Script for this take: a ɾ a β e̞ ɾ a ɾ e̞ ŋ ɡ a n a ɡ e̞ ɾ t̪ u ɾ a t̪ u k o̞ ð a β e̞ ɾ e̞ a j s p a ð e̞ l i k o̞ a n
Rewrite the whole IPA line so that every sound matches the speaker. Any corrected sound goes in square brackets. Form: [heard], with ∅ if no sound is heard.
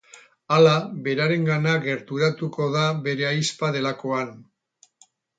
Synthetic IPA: a [l] a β e̞ ɾ a ɾ e̞ ŋ ɡ a n a ɡ e̞ ɾ t̪ u ɾ a t̪ u k o̞ ð a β e̞ ɾ e̞ a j s p a ð e̞ l [a] k o̞ a n

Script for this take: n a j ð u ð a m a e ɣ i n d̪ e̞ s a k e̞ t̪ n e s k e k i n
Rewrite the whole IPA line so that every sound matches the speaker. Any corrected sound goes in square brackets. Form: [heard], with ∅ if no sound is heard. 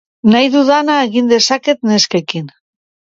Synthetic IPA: n a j ð u ð a [n] a e ɣ i n d̪ e̞ s a k e̞ t̪ n e s k e k i n

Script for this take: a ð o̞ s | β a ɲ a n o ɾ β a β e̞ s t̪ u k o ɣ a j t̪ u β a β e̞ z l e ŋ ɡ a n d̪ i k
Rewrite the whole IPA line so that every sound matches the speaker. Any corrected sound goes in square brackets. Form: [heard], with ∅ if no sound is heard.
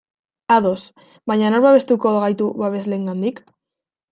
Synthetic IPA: a ð o̞ s | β a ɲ a n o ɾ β a β e̞ s t̪ u k o ɣ a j t̪ u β a β e̞ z l e ŋ ɡ a n d̪ i k

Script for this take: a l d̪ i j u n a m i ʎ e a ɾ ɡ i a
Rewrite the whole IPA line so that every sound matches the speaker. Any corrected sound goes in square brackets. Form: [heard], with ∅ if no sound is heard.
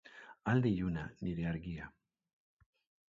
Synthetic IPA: a l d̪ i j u n a [n] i [ɾ] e a ɾ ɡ i a

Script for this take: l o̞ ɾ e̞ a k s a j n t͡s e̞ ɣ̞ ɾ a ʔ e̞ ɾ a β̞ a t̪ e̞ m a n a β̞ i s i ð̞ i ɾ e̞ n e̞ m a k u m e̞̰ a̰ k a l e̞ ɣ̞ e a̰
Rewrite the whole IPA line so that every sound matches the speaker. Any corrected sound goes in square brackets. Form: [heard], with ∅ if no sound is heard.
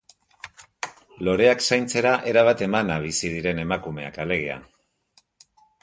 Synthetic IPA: l o̞ ɾ e̞ a k s a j n t͡s e̞ [∅] ɾ a ʔ e̞ ɾ a β̞ a t̪ e̞ m a n a β̞ i s i ð̞ i ɾ e̞ n e̞ m a k u m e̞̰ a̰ k a l e̞ ɣ̞ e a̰

